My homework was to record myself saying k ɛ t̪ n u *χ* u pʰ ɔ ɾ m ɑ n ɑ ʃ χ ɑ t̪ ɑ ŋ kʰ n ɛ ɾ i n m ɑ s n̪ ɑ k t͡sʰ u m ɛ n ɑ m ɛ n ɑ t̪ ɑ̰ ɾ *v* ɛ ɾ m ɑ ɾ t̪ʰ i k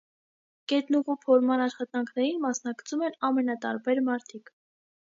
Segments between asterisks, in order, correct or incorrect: incorrect, incorrect

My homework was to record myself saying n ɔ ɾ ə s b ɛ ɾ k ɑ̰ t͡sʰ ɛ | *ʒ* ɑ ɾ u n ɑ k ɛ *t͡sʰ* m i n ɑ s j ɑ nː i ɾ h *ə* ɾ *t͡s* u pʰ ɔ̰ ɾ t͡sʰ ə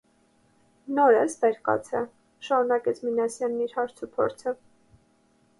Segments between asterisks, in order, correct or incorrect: incorrect, correct, incorrect, incorrect

